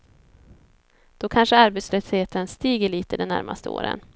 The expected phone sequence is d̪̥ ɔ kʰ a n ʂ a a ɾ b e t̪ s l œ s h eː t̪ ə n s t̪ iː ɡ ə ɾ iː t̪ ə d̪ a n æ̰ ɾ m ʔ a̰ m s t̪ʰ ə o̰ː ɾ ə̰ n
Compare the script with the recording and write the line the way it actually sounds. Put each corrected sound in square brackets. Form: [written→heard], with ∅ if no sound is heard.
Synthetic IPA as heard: d̪̥ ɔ kʰ a n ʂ [a→ə] a ɾ b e t̪ s l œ s h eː t̪ ə n s t̪ iː ɡ ə [ɾ→ɭ] iː t̪ ə d̪ [a→ɛ] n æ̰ ɾ m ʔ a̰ [m→∅] s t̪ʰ ə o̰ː ɾ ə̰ n